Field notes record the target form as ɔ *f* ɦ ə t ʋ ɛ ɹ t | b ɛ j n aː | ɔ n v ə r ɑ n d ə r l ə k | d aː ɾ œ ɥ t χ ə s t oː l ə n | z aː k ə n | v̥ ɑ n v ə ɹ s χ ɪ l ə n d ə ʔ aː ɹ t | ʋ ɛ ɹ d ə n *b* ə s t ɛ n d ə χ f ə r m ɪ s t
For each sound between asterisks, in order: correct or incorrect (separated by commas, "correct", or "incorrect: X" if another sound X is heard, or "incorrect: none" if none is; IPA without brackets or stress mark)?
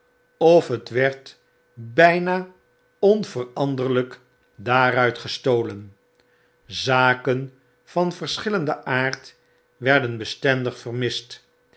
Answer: correct, correct